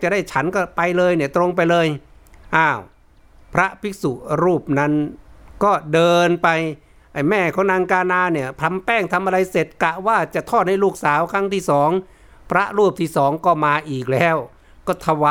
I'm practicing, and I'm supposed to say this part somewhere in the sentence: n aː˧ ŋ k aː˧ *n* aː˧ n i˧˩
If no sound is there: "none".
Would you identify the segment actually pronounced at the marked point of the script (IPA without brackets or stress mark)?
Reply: n